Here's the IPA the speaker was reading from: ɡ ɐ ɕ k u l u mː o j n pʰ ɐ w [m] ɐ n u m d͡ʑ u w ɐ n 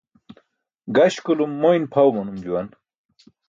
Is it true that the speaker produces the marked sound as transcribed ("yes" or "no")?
yes